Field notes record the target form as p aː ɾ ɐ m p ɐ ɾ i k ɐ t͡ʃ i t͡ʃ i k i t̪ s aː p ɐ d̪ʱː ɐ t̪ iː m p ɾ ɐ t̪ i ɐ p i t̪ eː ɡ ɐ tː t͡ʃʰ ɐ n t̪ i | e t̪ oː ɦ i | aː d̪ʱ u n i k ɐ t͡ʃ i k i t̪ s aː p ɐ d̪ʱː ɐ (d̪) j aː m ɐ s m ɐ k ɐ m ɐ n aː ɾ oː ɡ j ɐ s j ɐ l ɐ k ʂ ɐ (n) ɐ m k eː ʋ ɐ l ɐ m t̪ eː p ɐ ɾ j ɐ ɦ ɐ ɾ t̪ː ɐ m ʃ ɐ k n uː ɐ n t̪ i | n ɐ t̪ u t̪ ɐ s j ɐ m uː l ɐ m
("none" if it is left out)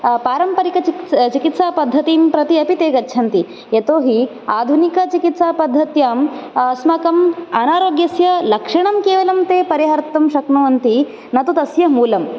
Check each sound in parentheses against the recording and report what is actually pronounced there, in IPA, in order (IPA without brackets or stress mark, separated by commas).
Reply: t̪, ɳ